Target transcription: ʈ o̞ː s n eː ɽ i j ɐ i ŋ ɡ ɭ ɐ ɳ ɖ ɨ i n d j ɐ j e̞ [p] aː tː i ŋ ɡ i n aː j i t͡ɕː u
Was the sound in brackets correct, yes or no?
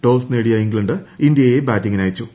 no